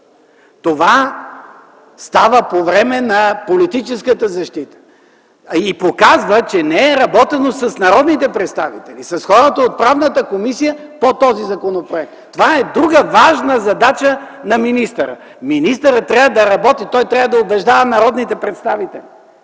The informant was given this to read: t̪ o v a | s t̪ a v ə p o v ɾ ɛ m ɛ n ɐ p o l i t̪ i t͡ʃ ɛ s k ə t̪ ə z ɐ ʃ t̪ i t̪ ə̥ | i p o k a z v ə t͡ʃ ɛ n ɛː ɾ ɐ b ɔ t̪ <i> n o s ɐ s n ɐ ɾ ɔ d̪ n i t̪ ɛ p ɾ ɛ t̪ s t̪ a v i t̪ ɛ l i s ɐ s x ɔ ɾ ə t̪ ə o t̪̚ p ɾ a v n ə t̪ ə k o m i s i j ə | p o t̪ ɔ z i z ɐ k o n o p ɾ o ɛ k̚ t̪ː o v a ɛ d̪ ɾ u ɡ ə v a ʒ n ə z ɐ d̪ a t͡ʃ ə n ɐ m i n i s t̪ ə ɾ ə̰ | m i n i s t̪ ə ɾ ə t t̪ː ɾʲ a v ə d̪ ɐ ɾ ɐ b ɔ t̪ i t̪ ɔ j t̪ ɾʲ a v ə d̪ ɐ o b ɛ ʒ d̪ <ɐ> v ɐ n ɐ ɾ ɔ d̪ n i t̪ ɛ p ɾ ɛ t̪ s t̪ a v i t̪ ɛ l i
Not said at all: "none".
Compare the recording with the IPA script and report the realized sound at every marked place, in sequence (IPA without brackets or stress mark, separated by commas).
ɛ, a